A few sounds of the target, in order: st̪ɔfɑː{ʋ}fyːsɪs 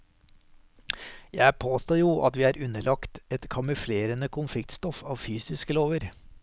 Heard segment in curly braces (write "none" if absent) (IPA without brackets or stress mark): ʋ